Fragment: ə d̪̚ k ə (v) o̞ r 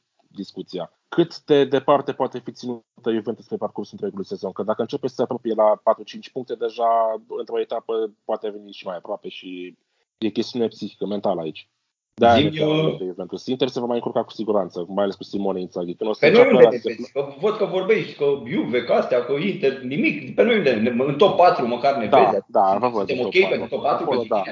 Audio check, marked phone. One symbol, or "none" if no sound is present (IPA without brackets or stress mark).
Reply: v